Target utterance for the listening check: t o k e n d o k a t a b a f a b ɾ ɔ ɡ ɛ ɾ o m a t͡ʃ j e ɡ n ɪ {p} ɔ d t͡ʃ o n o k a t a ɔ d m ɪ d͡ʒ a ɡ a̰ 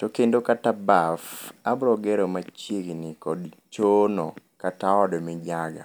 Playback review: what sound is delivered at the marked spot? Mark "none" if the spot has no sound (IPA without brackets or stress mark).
k